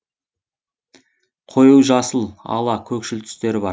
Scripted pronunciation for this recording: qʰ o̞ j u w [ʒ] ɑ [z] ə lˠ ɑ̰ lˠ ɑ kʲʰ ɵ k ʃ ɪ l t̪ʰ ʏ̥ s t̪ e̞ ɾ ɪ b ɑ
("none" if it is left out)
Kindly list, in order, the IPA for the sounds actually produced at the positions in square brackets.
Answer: ʒ, s

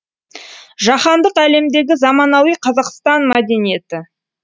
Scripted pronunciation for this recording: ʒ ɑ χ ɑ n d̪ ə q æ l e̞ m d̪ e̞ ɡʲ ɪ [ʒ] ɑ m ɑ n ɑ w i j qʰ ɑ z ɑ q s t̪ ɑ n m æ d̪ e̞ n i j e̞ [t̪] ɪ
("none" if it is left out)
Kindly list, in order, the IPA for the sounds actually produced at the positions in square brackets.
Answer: z, t̪

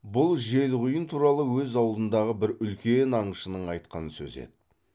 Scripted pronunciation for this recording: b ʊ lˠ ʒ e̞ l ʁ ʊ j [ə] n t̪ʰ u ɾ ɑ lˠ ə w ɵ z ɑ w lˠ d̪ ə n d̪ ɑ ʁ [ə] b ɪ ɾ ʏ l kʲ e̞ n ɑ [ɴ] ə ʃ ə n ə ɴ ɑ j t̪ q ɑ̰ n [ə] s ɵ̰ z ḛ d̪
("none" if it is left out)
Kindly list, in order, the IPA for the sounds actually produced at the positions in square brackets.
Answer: ə, ə, ɴ, ə

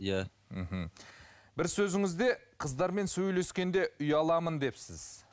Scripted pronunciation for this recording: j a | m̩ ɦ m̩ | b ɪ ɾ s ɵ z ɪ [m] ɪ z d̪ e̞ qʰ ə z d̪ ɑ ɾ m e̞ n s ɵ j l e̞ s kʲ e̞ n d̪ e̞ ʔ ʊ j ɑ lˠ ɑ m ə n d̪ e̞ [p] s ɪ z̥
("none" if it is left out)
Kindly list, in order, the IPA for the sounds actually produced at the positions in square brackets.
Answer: ŋ, p

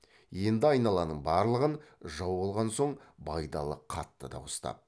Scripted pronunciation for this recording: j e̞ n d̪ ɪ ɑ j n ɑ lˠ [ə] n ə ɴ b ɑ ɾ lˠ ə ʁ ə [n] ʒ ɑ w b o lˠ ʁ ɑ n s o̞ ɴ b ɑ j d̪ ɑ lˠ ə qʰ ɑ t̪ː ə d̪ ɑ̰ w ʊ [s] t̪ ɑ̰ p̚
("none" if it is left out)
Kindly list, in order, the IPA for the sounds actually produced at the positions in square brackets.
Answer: ɑ, n, s

